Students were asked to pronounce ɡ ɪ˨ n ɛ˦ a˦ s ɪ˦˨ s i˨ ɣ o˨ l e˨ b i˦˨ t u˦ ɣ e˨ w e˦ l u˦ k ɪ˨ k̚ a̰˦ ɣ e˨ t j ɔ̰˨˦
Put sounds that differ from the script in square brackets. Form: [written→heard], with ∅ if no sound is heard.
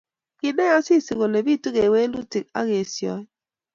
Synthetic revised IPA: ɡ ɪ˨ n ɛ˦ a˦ s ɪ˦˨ s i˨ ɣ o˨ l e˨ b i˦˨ t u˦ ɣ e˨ w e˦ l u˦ [k→t] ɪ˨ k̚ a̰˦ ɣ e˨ [t→s] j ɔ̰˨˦